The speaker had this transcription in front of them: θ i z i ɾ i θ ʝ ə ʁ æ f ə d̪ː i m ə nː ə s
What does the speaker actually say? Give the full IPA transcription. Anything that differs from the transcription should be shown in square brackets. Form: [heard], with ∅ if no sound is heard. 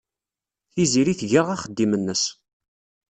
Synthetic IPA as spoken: θ i z i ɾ i θ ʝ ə ʁ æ [χ] ə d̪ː i m ə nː ə s